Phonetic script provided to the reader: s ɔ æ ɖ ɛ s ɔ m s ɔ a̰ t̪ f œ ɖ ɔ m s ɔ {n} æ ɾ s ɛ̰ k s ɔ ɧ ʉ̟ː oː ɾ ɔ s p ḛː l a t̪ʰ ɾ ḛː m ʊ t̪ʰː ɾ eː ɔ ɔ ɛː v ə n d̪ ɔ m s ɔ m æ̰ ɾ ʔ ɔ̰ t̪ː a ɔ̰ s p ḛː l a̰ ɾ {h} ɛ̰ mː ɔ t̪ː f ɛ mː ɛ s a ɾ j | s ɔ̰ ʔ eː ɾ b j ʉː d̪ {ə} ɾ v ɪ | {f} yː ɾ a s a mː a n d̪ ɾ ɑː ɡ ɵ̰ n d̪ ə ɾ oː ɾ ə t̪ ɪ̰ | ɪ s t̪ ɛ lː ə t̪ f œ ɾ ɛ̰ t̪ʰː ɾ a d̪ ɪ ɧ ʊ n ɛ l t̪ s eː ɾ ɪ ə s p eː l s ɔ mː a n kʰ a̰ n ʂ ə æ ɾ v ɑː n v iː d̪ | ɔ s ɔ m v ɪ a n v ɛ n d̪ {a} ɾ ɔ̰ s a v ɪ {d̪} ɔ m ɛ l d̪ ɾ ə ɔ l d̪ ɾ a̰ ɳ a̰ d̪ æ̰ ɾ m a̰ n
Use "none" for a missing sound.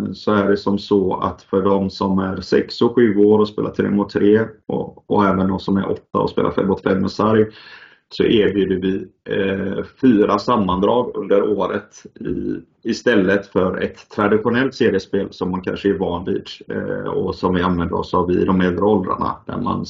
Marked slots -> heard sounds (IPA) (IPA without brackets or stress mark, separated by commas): m, f, ə, f, ə, d̪